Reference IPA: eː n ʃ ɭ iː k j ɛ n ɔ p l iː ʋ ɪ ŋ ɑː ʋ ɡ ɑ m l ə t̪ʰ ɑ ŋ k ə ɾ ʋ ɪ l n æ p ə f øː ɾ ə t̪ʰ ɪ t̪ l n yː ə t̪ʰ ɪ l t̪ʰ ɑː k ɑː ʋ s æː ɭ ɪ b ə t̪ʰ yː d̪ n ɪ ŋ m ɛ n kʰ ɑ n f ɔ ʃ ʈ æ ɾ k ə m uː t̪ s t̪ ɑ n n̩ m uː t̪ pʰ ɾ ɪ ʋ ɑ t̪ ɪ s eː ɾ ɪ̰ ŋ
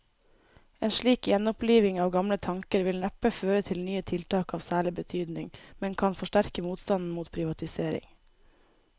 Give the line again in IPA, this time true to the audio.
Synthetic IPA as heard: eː n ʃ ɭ iː k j ɛ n ɔ p l iː ʋ ɪ ŋ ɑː ʋ ɡ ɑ m l ə t̪ʰ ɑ ŋ k ə ɾ ʋ ɪ l n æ p ə f øː ɾ ə t̪ʰ ɪ l n yː ə t̪ʰ ɪ l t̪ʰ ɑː k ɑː ʋ s æː ɭ ɪ b ə t̪ʰ yː d̪ n ɪ ŋ m ɛ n kʰ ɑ n f ɔ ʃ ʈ æ ɾ k ə m uː t̪ s t̪ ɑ n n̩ m uː t̪ pʰ ɾ ɪ ʋ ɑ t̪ ɪ s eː ɾ ɪ̰ ŋ